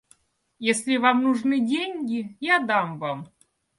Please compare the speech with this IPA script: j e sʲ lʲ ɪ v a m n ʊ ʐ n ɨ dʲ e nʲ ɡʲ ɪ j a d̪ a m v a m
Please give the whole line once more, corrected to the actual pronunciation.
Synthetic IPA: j e sʲ lʲ ɪ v a m n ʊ ʐ n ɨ dʲ e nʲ ɡʲ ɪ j a d̪ a m v a m